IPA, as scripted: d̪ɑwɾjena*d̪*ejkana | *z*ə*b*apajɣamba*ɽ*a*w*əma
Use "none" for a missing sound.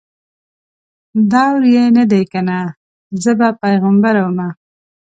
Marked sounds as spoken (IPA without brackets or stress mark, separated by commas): d̪, z, b, ɾ, w